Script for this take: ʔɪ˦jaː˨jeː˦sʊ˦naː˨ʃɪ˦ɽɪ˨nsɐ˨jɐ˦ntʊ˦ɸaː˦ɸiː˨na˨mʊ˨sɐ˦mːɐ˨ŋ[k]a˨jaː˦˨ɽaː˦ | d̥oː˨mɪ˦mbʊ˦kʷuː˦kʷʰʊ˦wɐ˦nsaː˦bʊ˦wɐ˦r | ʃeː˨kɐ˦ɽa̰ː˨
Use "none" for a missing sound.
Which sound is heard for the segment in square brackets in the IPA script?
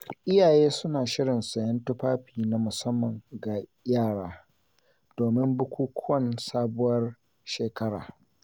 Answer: ɡ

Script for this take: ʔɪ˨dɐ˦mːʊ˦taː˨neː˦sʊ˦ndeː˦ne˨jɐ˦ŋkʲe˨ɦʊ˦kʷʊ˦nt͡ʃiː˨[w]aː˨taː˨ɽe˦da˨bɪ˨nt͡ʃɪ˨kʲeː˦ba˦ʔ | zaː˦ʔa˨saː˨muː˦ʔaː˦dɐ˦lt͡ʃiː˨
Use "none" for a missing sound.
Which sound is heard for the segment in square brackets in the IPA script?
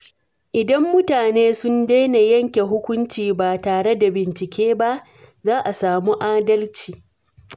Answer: b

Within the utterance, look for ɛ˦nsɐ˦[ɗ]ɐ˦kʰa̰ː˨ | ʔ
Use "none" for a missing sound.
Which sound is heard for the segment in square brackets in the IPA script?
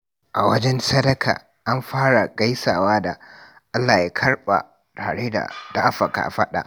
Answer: d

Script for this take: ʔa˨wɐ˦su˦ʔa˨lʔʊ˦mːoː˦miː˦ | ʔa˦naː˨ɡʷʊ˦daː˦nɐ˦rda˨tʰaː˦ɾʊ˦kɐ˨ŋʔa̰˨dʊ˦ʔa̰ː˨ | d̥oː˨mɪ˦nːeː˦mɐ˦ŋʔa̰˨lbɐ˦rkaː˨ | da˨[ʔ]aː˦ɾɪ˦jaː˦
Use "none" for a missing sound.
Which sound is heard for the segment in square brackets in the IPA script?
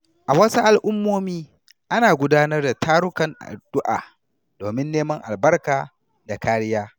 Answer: k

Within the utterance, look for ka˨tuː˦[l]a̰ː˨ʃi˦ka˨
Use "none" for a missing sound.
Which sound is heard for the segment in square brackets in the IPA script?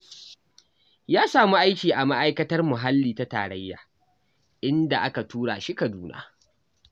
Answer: ɽ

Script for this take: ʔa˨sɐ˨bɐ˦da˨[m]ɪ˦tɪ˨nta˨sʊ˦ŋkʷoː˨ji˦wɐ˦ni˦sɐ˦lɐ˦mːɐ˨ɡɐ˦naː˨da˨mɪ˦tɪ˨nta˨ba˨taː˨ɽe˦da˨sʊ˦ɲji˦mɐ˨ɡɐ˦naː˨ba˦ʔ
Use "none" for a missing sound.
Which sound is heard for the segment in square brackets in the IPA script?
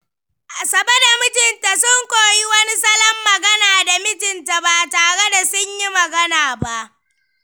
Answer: m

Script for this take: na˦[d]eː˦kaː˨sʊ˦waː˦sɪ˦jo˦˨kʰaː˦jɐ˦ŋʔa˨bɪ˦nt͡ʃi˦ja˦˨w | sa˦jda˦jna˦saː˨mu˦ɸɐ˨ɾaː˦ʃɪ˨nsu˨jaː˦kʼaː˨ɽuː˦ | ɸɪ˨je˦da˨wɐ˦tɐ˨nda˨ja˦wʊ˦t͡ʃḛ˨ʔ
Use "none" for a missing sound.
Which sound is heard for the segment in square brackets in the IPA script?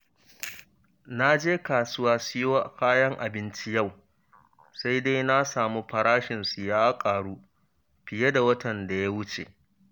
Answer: d͡ʒ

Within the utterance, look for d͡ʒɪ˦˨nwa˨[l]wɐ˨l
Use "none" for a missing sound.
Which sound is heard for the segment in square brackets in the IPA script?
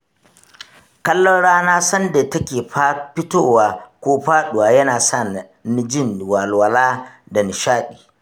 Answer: l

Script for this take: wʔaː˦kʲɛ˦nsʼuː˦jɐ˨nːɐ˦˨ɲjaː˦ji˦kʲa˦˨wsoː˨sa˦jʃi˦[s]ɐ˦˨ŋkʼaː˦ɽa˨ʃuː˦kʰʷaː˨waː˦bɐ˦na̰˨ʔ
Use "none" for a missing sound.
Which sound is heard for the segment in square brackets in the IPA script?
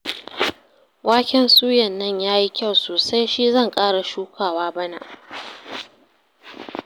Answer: z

